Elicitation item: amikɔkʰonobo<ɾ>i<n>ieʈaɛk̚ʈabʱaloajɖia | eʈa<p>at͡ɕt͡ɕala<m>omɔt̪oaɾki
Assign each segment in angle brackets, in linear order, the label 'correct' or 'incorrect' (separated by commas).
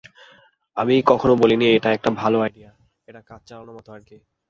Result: incorrect, correct, incorrect, incorrect